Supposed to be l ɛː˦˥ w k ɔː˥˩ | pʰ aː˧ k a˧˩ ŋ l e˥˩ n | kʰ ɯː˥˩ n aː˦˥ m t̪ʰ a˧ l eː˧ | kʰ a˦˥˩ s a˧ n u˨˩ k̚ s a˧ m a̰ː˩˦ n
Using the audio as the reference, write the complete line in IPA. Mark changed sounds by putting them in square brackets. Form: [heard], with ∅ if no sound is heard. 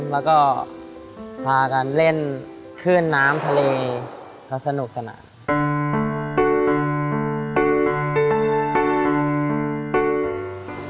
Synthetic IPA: l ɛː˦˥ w k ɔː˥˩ | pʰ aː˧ k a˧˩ [n] l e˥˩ n | kʰ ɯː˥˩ [nː] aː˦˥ m t̪ʰ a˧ l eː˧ | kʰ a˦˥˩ s a˧ n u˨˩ k̚ s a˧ [n] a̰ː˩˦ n